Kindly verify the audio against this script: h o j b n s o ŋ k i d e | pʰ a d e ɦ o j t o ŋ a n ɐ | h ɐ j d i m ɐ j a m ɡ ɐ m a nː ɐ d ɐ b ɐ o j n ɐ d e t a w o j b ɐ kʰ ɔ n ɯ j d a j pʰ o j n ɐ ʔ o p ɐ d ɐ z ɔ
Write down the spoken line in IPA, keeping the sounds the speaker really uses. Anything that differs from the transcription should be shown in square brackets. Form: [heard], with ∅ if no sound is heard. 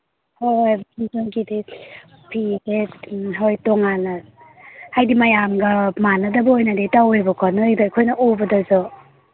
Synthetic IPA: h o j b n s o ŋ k i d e | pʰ [i] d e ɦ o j t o ŋ a n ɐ | h [a] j d i m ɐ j a m ɡ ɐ m a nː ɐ d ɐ b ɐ o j n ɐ d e t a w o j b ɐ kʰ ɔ n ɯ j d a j [kʰ] o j n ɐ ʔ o [b] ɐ d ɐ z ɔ